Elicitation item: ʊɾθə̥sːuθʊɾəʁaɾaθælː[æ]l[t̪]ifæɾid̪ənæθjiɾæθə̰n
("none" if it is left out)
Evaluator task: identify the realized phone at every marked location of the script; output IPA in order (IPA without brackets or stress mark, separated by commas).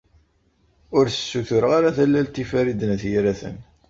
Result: æ, t̪